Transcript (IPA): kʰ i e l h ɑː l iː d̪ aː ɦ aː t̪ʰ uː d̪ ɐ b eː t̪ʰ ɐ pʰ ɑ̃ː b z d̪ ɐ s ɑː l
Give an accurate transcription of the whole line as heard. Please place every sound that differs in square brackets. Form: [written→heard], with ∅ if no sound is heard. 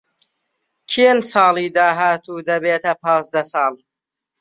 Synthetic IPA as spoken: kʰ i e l [h→s] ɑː l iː d̪ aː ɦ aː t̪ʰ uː d̪ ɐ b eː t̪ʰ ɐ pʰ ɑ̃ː [b→∅] z d̪ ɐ s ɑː l